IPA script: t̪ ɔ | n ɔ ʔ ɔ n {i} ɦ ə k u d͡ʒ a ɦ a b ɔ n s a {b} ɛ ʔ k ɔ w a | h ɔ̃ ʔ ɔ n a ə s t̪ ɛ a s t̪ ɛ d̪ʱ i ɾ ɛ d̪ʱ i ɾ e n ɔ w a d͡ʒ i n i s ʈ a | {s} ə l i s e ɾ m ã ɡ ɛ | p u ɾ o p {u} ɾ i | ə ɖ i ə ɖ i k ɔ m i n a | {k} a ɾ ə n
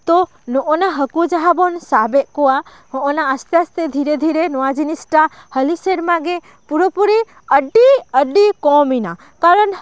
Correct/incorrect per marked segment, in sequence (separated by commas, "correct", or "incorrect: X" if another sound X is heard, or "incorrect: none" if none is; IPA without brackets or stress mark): incorrect: a, correct, incorrect: h, correct, correct